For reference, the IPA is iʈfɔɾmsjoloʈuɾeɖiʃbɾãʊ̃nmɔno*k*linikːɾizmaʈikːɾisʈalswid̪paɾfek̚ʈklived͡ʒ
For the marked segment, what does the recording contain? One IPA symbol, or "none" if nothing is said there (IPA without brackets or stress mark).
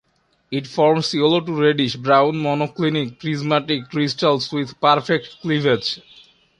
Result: k